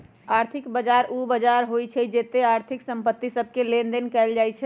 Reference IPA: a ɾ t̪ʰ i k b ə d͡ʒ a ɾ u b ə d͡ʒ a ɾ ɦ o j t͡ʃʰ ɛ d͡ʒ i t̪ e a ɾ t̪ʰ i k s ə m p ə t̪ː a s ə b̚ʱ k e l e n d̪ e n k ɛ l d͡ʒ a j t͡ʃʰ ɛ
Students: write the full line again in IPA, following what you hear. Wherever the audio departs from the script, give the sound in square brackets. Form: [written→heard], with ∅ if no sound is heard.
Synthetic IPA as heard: a ɾ t̪ʰ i k b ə d͡ʒ a ɾ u b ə d͡ʒ a ɾ ɦ o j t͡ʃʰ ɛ d͡ʒ [i→e] t̪ e a ɾ t̪ʰ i k s ə m p ə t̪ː [a→i] s ə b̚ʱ k e l e n d̪ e n k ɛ l d͡ʒ a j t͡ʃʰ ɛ